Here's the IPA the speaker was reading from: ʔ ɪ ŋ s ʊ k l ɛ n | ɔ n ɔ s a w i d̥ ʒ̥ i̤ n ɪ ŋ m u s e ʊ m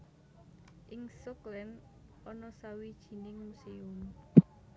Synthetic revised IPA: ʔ ɪ ŋ s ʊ k l ɛ n | ɔ n ɔ s a w i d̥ ʒ̥ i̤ n ɪ ŋ m u s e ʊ m